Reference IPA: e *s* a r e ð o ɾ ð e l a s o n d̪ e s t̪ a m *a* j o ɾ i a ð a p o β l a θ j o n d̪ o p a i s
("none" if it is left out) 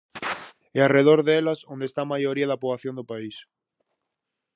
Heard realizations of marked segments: none, a

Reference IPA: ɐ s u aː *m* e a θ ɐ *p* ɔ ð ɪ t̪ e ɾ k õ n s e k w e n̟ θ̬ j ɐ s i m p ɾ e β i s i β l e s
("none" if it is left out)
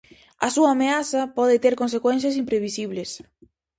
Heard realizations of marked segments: m, p

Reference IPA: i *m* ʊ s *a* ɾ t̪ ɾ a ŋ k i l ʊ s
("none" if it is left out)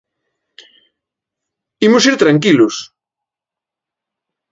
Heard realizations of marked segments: m, i

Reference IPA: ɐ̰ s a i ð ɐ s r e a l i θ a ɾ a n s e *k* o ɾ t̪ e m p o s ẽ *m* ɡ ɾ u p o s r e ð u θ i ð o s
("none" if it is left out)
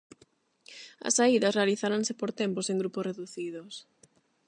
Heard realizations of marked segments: p, ŋ

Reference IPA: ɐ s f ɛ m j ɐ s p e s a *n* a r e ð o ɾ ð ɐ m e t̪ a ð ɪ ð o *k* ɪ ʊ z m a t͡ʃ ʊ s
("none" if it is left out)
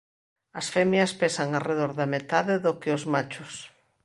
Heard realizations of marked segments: ŋ, k

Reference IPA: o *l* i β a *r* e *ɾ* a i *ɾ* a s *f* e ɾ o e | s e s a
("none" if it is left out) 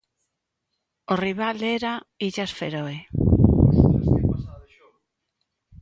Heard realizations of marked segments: r, l, ɾ, ʎ, f

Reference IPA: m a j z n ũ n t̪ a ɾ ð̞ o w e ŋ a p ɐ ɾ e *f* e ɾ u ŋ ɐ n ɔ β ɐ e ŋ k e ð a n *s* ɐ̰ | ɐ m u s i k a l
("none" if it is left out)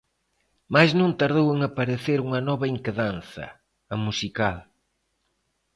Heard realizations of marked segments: θ, θ

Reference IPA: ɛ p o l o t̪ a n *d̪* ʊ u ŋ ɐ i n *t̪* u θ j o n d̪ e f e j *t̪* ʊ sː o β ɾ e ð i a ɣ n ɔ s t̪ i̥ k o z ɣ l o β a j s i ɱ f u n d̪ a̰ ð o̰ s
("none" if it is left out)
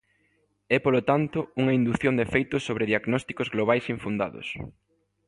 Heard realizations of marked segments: t̪, d̪, t̪

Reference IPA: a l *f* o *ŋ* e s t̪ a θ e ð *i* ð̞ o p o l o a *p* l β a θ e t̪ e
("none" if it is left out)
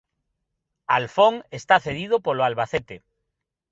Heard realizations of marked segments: f, ŋ, i, none

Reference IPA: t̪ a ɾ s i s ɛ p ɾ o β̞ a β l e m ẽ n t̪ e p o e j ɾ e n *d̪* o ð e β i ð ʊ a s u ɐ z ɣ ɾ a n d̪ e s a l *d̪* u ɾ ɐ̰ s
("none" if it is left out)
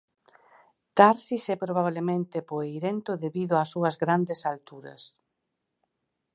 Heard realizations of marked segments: t̪, t̪

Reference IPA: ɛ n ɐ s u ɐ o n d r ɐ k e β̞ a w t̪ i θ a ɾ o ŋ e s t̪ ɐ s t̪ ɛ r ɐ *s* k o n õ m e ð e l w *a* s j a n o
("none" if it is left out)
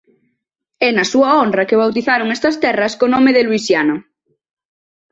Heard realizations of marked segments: s, i

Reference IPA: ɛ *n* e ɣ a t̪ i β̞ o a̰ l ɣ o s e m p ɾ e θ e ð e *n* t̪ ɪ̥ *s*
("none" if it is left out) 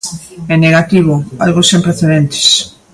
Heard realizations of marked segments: n, n, s

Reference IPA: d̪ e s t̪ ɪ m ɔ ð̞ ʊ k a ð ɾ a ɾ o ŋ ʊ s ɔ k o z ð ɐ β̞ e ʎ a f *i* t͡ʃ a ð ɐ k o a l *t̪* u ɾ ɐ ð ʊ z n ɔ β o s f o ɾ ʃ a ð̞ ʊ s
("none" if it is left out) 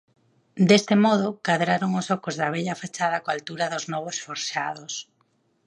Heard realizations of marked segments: a, t̪

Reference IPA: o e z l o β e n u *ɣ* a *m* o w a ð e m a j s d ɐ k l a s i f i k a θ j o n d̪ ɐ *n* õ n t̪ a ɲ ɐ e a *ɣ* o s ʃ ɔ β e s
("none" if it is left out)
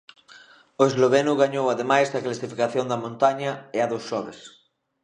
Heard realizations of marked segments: ɣ, ɲ, m, ð

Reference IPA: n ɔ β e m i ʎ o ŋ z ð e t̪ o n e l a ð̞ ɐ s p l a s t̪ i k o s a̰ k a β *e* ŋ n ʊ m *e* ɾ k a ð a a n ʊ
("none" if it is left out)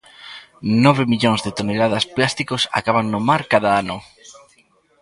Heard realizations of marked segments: a, a

